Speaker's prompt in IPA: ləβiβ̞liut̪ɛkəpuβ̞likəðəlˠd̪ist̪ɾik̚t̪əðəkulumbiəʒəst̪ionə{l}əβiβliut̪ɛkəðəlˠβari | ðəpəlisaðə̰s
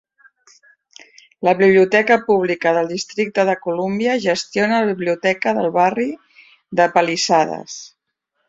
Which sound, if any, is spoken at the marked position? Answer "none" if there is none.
l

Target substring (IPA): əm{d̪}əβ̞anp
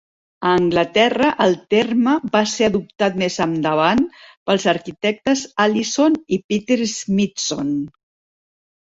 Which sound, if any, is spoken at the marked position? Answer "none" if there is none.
d̪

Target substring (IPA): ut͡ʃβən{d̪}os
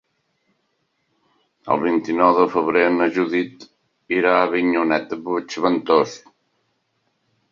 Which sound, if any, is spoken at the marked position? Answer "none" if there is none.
t̪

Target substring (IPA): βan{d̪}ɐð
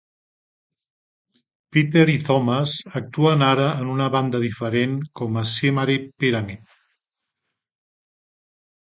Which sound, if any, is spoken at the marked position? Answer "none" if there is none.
d̪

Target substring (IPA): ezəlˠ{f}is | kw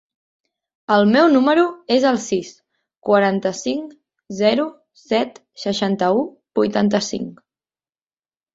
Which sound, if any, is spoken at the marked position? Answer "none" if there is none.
s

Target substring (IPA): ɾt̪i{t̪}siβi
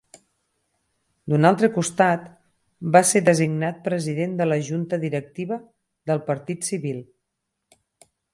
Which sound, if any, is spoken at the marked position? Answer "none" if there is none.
t̪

